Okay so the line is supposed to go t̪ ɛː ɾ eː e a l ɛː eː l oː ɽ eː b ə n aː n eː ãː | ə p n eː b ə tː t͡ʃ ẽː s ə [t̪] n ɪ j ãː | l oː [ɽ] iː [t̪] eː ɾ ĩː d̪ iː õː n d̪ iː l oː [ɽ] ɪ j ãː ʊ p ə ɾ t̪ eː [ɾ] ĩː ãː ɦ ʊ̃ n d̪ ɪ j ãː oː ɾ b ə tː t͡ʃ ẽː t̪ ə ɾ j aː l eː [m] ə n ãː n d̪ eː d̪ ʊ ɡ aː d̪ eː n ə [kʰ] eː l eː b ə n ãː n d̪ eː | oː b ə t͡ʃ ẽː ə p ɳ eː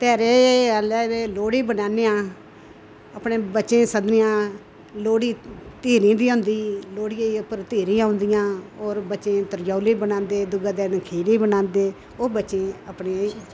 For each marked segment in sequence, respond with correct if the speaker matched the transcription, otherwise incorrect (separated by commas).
incorrect, correct, correct, correct, correct, incorrect, correct